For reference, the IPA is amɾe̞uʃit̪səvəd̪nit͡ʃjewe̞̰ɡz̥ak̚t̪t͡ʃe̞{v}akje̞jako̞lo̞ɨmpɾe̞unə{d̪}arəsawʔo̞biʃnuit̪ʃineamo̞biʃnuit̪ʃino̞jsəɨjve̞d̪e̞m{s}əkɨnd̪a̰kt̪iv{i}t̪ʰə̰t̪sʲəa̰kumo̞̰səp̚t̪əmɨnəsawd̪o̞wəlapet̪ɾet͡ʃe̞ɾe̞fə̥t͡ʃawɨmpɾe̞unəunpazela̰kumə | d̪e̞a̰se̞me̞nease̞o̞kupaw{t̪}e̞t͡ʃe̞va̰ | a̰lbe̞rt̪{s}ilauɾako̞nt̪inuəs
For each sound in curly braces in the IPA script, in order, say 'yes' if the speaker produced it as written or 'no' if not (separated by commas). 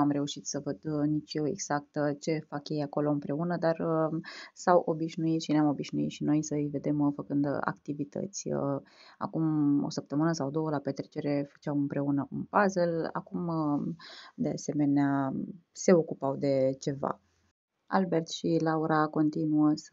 no, yes, no, yes, no, no